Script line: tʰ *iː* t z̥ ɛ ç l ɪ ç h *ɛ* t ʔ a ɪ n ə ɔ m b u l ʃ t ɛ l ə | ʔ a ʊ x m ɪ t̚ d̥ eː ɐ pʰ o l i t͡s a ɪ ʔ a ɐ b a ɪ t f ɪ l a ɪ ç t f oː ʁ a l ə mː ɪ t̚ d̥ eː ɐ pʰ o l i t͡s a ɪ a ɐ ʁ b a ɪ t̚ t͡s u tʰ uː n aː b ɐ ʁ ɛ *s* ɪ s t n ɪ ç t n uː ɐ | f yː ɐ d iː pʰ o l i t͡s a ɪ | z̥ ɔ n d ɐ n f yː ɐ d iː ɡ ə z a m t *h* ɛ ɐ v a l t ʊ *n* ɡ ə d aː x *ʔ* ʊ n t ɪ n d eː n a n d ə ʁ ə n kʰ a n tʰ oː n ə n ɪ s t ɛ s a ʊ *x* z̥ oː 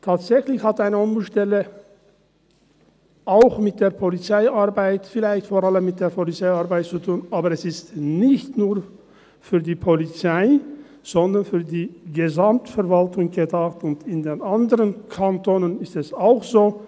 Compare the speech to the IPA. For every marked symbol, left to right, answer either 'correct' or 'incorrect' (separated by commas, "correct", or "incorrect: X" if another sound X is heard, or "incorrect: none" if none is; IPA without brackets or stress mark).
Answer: incorrect: aː, incorrect: a, correct, incorrect: f, incorrect: ŋ, incorrect: t, correct